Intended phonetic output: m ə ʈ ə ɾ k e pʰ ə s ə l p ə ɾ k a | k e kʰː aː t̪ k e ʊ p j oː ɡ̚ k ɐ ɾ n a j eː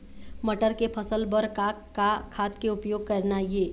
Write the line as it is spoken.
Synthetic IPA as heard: m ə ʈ ə ɾ k e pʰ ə s ə l b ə ɾ k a | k a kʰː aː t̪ k e ʊ p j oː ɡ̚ k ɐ ɾ n a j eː